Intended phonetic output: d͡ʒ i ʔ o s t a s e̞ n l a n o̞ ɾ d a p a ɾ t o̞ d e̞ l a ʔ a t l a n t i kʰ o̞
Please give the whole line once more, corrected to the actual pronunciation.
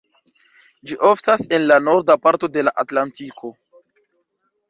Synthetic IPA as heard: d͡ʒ i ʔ o f t a s e̞ n l a n o̞ ɾ d a p a ɾ t o̞ d e̞ l a ʔ a t l a n t i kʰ o̞